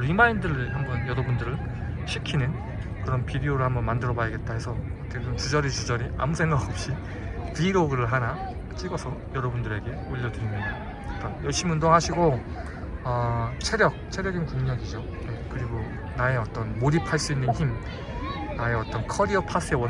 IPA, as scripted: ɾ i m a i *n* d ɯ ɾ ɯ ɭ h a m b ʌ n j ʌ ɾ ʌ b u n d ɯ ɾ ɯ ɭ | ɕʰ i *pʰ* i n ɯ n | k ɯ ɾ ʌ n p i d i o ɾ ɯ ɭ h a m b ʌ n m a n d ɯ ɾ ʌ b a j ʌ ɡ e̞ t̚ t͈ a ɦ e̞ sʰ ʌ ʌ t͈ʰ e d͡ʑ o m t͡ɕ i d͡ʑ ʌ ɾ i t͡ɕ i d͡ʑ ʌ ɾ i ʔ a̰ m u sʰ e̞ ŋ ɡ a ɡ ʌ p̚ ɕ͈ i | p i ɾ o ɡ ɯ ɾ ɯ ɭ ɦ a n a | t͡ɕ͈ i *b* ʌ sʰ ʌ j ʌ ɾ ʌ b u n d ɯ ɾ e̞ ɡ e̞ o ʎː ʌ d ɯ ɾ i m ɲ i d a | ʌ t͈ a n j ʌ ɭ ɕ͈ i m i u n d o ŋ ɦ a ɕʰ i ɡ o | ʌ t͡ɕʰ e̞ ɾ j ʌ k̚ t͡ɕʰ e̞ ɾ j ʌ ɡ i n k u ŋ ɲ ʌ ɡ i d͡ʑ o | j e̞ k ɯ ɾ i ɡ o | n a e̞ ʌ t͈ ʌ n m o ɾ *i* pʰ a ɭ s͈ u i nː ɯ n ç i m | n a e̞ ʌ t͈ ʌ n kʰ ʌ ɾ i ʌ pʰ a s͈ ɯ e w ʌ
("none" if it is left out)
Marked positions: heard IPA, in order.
n, kʰ, ɡ, i

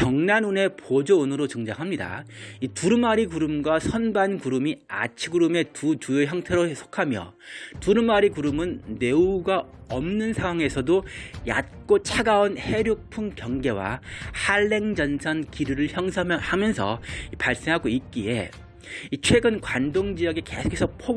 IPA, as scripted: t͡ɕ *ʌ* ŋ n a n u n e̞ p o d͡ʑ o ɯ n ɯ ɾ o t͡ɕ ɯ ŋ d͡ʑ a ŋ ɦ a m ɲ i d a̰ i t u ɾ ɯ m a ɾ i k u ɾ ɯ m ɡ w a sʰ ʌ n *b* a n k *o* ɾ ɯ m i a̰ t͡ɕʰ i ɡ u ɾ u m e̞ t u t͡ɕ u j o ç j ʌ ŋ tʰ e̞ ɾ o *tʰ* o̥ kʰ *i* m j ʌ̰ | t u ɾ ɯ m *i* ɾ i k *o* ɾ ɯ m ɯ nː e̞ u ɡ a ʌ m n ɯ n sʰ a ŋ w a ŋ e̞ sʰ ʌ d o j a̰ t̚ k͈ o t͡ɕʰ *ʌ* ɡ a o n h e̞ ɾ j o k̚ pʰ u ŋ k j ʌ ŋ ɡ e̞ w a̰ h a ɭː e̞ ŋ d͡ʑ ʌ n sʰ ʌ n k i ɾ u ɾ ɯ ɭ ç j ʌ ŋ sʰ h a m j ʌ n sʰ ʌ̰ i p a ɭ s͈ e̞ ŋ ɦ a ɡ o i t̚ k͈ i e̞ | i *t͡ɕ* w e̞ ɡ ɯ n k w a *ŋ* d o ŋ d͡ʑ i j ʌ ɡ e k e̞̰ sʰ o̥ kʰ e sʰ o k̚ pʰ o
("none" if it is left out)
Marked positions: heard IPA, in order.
ʌ, b, u, sʰ, a, a, u, a, t͡ɕʰ, n

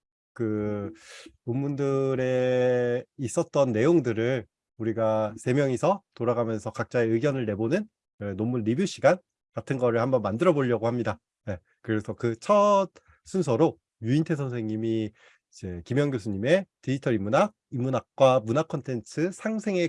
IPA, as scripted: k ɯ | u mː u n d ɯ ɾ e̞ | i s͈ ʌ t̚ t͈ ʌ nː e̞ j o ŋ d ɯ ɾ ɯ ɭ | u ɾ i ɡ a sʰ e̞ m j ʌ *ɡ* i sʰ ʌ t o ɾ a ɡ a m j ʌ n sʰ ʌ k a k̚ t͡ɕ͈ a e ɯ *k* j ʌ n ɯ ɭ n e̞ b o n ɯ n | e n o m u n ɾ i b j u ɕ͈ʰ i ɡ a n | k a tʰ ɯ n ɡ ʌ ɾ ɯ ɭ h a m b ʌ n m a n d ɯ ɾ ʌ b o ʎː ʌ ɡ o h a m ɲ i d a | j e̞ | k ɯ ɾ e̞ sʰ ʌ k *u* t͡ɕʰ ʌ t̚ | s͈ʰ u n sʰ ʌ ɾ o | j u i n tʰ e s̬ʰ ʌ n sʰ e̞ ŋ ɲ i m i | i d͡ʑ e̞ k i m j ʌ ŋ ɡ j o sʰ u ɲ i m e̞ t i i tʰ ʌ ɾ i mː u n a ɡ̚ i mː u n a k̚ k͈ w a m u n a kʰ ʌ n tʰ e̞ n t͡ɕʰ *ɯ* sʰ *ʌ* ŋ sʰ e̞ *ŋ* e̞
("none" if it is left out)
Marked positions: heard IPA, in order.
ŋ, ɡ, ɯ, ɯ, a, ŋ

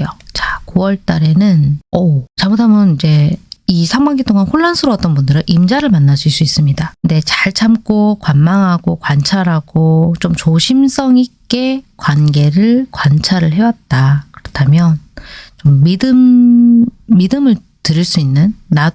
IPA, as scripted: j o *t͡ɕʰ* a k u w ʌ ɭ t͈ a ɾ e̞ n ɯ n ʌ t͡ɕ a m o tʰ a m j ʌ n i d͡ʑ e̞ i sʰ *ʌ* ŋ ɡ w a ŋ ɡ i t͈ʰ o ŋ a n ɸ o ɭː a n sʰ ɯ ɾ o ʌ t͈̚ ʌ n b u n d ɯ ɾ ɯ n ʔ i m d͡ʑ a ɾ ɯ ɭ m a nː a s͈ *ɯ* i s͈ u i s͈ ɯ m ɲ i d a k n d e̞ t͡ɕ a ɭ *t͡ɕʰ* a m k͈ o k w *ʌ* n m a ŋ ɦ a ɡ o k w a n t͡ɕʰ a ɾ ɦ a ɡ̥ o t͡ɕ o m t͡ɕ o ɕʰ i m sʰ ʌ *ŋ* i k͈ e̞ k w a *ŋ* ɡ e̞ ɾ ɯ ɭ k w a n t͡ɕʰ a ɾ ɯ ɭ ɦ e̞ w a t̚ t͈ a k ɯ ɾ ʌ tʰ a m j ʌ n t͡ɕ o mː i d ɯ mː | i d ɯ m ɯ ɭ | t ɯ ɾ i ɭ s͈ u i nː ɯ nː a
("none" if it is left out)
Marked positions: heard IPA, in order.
t͡ɕ, a, u, t͡ɕʰ, a, ŋ, n

